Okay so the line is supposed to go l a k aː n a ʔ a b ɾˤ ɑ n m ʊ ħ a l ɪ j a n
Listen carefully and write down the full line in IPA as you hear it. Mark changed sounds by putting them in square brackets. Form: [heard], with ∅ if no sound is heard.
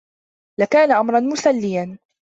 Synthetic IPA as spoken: l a k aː n a ʔ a [m] ɾˤ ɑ n m ʊ [s] a [lː] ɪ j a n